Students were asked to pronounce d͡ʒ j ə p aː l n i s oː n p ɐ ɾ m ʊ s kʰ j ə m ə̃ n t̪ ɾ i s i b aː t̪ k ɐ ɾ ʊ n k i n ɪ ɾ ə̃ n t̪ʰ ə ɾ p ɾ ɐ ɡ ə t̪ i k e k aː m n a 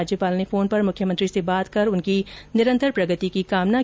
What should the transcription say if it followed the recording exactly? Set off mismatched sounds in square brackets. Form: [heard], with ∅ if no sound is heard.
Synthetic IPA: d͡ʒ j ə p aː l n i [f] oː n p ɐ ɾ m ʊ [∅] kʰ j ə m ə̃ n t̪ ɾ i s [e] b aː t̪ k ɐ ɾ ʊ n k i n ɪ ɾ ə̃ n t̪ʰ ə ɾ p ɾ ɐ ɡ ə t̪ i k [i] k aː m n a

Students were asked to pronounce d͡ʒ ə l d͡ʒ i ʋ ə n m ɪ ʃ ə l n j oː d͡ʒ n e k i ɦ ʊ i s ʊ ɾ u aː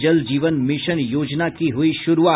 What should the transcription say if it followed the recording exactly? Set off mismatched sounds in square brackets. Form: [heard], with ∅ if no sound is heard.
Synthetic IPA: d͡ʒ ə l d͡ʒ [iː] ʋ ə n m ɪ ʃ ə [∅] n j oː d͡ʒ n [a] k i ɦ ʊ i [ʃ] ʊ ɾ u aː

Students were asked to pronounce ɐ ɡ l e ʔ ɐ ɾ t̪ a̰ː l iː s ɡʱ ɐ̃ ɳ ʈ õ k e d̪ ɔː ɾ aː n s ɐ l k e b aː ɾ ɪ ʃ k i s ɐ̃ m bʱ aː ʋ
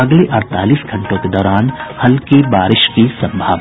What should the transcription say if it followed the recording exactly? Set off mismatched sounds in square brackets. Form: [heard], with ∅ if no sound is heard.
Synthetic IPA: ɐ ɡ l e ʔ ɐ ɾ t̪ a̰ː l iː s ɡʱ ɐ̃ ɳ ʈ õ k e d̪ ɔː ɾ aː n [h] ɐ l k e b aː ɾ ɪ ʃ k i s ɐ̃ m bʱ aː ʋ

